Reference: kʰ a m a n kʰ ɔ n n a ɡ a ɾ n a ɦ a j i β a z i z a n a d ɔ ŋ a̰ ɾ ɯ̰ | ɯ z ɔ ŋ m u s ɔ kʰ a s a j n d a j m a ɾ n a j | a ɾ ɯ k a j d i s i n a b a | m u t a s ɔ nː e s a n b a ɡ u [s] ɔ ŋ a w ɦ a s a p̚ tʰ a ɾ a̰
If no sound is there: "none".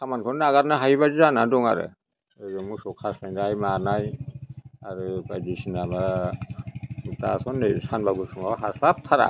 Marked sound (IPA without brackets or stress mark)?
s